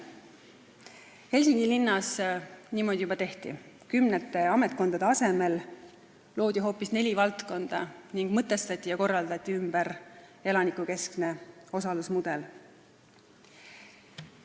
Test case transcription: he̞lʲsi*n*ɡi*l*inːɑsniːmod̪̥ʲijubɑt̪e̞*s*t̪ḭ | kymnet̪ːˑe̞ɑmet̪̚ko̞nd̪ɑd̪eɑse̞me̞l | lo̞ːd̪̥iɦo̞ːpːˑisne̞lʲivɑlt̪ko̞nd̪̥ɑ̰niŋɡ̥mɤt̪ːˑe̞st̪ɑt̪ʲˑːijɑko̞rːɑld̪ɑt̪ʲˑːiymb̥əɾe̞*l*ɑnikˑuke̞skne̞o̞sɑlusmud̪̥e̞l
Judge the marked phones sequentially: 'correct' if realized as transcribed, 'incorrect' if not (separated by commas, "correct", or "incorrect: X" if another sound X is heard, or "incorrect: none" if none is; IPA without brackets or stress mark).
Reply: incorrect: ŋ, correct, incorrect: h, correct